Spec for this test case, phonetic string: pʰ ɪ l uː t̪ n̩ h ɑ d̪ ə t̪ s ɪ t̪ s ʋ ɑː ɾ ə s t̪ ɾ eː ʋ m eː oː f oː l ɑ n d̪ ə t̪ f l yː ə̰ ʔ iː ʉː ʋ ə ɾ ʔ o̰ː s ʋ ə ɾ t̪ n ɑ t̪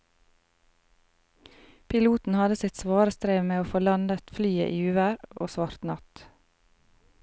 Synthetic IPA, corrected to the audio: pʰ ɪ l uː t̪ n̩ h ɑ d̪ ə s ɪ t̪ s ʋ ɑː ɾ ə s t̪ ɾ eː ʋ m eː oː f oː l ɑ n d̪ ə t̪ f l yː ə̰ ʔ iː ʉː ʋ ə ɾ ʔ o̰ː s ʋ ɑ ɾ t̪ n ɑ t̪

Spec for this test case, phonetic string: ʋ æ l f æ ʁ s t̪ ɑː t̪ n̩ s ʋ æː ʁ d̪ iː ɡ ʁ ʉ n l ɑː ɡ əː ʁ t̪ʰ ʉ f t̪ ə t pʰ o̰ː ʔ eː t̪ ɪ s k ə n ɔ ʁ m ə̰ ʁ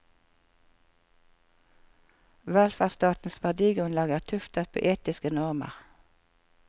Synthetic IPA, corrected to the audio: ʋ æ l f æ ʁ s t̪ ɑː t̪ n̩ s ʋ æ ʁ d̪ iː ɡ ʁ ʉ n l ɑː ɡ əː ʁ t̪ʰ ʉ f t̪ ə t pʰ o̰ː ʔ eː t̪ ɪ s k ə n ɔ ʁ m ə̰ ʁ

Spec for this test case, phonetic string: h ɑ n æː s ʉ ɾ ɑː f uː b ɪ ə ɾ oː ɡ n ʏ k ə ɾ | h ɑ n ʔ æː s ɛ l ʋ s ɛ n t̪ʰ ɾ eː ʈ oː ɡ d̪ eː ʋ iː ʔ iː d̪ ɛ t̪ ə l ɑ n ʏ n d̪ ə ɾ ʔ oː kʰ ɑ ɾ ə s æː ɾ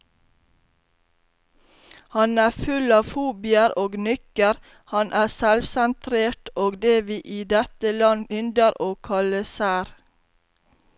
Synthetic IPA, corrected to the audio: h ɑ n æː f ʉ l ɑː f uː b ɪ ə ɾ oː ɡ n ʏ k ə ɾ | h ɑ n ʔ æː s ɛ l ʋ s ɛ n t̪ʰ ɾ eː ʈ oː ɡ d̪ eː ʋ iː ʔ iː d̪ ɛ t̪ ə l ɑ n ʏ n d̪ ə ɾ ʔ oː kʰ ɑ l ə s æː ɾ

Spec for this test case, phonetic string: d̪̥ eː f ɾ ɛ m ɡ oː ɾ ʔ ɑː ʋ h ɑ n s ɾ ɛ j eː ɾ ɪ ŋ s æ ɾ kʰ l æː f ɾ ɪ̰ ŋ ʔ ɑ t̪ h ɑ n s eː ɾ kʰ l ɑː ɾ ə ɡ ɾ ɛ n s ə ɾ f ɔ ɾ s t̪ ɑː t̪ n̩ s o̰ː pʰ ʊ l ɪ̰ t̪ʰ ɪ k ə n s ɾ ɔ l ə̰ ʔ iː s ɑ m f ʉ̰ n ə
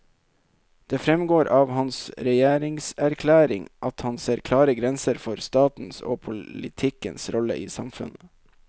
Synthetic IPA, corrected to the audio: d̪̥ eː f ɾ ɛ m ɡ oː ɾ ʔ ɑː ʋ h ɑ n s ɾ ɛ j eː ɾ ɪ ŋ s æ ɾ kʰ l æː ɾ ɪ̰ ŋ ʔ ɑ t̪ h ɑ n s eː ɾ kʰ l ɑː ɾ ə ɡ ɾ ɛ n s ə ɾ f ɔ ɾ s t̪ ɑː t̪ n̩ s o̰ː pʰ ʊ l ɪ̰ t̪ʰ ɪ k ə n s ɾ ɔ l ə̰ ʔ iː s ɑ m f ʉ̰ n ə

